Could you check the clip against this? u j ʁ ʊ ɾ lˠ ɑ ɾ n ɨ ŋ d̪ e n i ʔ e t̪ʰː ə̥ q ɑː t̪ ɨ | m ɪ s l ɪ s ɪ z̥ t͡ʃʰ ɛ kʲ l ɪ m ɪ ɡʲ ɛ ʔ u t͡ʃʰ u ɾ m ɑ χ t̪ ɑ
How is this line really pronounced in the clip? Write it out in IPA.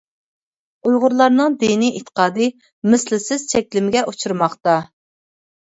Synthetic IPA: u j ʁ ʊ ɾ lˠ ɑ ɾ n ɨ ŋ d̪ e n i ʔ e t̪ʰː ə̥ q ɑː d̪ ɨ | m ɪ s l ɪ s ɪ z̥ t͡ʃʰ ɛ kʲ l ɪ m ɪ ɡʲ ɛ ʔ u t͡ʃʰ u ɾ m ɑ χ t̪ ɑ